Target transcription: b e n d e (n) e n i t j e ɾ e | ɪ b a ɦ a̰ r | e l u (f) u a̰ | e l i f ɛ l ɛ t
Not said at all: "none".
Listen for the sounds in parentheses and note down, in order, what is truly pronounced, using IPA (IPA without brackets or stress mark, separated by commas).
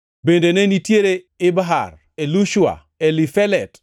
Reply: n, ʃ